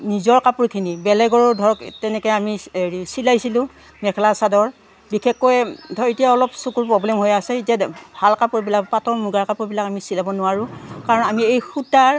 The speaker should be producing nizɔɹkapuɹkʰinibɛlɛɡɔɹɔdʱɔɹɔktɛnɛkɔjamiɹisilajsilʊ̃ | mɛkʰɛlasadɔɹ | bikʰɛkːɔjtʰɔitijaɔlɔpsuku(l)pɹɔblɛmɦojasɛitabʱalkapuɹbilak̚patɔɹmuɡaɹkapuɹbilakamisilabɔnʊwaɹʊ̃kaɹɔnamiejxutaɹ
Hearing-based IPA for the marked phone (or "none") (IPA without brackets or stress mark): ɹ